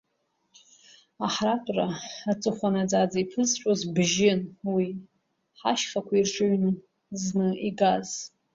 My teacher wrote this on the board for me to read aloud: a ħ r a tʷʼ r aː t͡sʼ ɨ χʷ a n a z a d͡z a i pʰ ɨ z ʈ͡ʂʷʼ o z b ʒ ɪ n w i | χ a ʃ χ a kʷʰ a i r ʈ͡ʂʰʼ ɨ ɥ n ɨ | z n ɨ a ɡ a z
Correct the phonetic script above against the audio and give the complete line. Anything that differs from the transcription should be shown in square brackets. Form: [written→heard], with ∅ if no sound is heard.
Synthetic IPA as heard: a ħ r a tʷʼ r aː t͡sʼ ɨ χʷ a n a [z→d͡z] a d͡z a i pʰ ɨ z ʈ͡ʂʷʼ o z b ʒ ɪ n w i | [χ→ħ] a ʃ χ a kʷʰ a i r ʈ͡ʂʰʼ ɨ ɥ n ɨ | z n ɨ [a→i] ɡ a z